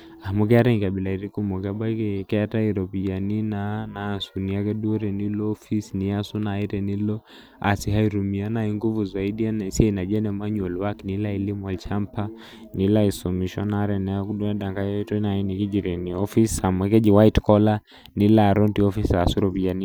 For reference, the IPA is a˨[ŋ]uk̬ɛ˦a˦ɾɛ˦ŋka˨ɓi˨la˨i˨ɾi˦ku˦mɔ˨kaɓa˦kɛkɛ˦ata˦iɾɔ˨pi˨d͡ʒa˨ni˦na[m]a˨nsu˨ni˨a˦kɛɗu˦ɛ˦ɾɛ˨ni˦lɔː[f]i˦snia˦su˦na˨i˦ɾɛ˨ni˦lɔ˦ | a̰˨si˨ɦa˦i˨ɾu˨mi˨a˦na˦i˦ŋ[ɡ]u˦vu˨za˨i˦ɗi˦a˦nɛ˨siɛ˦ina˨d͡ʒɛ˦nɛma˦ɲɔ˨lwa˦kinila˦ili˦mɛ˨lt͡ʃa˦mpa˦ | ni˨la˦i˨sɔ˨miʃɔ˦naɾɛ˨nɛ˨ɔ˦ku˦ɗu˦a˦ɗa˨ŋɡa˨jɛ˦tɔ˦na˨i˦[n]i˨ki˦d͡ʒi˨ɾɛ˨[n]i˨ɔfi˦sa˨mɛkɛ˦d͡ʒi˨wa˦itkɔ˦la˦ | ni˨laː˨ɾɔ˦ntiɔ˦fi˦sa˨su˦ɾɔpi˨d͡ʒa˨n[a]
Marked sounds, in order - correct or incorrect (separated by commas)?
incorrect, incorrect, correct, correct, correct, correct, incorrect